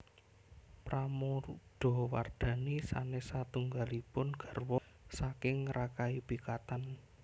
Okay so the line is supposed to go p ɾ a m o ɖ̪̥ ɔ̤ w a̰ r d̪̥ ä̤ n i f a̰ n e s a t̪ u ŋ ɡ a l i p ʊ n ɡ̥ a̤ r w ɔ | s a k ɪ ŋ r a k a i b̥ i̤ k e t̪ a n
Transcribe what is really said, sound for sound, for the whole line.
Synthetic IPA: p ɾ a m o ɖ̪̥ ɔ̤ w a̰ r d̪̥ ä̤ n i s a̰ n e s a t̪ u ŋ ɡ a l i p ʊ n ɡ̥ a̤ r w ɔ | s a k ɪ ŋ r a k a i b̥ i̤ k a t̪ a n